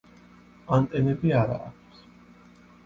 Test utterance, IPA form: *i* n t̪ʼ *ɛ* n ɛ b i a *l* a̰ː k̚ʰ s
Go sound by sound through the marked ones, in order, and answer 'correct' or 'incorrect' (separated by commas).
incorrect, correct, incorrect